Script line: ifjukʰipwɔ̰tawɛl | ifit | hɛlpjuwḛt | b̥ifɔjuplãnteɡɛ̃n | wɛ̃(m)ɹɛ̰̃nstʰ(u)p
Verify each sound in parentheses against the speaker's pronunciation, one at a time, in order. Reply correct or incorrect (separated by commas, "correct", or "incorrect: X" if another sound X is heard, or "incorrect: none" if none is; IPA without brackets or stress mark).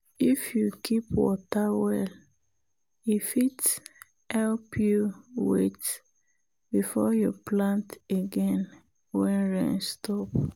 incorrect: n, incorrect: ɔ